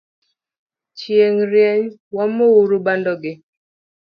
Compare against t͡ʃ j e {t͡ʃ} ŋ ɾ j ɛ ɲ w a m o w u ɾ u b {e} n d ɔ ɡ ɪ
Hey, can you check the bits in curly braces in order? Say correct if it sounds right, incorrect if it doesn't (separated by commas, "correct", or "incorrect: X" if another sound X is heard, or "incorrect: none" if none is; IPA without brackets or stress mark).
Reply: incorrect: none, incorrect: a